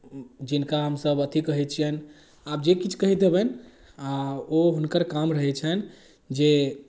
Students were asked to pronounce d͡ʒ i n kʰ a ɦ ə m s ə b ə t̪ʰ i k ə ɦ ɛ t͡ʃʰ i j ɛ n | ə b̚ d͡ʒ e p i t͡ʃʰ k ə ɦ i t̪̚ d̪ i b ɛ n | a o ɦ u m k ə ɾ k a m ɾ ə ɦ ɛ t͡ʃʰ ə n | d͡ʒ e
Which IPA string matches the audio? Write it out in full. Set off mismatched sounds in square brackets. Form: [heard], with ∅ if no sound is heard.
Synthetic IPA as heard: d͡ʒ i n [k] a ɦ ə m s ə b ə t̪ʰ i k ə ɦ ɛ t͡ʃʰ i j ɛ n | [a] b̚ d͡ʒ e [k] i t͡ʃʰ k ə ɦ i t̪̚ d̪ [e] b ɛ n | a o ɦ u [n] k ə ɾ k a m ɾ ə ɦ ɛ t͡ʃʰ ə n | d͡ʒ e